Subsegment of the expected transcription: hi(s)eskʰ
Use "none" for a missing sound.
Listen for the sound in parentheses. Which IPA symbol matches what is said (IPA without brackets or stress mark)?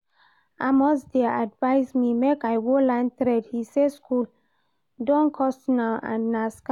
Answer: s